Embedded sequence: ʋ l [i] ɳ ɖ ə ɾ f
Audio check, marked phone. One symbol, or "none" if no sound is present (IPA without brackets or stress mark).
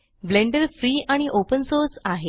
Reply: e